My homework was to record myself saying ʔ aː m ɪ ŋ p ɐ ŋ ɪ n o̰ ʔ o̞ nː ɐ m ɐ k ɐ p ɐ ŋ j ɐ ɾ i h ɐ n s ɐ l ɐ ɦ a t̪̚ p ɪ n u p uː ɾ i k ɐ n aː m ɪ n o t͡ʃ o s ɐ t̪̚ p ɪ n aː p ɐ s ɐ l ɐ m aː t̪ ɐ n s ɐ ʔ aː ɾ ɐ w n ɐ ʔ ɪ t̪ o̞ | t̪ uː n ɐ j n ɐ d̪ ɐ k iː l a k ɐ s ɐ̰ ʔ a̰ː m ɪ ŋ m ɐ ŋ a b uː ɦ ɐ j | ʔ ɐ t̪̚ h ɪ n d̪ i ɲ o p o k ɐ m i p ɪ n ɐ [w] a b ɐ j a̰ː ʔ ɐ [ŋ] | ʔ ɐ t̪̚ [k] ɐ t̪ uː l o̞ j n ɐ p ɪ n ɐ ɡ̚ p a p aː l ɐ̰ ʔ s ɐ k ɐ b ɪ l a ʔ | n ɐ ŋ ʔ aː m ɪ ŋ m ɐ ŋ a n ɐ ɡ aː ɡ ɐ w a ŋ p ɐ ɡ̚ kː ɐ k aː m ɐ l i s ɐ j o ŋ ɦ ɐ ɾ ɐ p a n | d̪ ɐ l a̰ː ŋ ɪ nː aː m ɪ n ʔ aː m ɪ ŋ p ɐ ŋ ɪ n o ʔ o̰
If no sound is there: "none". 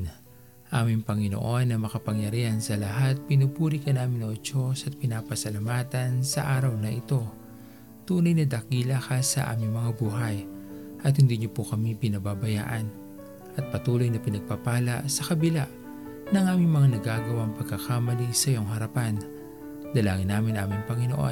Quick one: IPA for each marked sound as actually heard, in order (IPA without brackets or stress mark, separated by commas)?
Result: b, n, p